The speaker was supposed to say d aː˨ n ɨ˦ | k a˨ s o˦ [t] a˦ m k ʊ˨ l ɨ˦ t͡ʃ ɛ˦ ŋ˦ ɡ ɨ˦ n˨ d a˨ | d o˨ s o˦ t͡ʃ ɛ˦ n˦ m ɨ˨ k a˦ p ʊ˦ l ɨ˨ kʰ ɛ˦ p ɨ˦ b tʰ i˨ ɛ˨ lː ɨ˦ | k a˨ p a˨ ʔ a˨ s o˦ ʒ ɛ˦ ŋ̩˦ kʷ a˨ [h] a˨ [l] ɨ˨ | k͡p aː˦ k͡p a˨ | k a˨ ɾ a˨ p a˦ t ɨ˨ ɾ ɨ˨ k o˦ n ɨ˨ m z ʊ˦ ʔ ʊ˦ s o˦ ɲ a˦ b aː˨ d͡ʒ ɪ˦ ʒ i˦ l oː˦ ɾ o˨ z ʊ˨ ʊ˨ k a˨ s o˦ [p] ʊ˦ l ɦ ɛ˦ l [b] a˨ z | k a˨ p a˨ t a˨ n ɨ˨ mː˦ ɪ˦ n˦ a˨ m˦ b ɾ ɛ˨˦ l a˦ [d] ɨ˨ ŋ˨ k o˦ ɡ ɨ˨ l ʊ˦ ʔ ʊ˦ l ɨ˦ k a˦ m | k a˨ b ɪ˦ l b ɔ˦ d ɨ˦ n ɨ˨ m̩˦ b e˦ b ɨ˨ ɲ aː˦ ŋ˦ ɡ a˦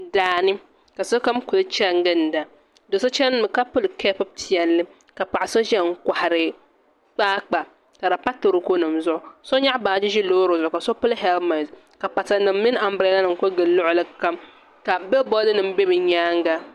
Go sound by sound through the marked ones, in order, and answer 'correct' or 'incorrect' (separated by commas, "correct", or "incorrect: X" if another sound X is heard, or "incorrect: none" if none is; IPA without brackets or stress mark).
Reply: incorrect: k, correct, incorrect: ɾ, correct, incorrect: m, incorrect: n